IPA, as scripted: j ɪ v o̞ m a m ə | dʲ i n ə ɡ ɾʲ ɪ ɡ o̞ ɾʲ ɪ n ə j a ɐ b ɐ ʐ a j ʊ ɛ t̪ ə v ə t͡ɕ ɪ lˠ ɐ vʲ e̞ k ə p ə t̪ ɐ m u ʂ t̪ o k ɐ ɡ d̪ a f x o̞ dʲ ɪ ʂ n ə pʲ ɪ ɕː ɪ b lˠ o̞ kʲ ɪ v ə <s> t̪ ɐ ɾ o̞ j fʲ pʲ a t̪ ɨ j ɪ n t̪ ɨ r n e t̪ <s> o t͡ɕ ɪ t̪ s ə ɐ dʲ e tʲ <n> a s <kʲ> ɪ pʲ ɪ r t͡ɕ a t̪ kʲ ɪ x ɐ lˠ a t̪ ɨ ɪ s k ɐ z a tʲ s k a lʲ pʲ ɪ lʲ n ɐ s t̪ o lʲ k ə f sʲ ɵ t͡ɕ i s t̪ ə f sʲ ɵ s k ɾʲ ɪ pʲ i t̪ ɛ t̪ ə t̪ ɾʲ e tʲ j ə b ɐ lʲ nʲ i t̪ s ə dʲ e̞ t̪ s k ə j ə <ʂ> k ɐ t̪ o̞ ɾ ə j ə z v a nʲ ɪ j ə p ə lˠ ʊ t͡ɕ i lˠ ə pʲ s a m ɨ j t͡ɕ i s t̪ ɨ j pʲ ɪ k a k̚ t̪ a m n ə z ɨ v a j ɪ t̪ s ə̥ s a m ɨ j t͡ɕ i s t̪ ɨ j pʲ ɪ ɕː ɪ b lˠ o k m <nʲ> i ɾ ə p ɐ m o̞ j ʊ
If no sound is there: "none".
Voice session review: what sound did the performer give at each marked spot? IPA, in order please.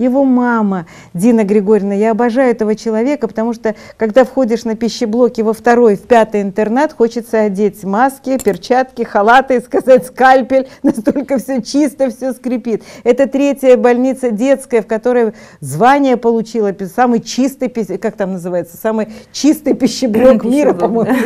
f, x, m, kʲ, f, mʲ

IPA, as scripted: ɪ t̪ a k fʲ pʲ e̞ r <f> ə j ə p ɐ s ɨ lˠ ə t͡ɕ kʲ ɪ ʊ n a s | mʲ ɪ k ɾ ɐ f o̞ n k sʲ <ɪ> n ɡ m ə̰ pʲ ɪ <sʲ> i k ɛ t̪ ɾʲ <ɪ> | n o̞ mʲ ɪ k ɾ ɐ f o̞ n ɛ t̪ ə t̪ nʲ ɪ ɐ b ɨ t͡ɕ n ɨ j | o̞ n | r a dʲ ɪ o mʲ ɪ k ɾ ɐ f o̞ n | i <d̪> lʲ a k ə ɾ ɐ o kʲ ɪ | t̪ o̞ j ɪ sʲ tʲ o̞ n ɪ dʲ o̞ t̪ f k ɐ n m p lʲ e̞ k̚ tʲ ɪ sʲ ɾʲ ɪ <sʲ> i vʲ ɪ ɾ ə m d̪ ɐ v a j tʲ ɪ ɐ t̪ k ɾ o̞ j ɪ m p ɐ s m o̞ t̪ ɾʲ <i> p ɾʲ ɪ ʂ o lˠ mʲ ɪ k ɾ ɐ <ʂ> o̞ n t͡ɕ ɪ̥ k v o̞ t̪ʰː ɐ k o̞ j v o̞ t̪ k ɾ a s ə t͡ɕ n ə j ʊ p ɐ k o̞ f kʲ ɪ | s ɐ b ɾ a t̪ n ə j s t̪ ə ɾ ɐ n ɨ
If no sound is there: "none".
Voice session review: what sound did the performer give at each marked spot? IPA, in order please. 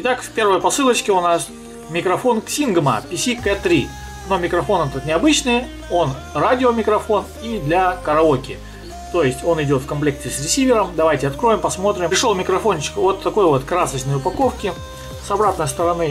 v, i, sʲ, i, d̪, sʲ, ɪ, f

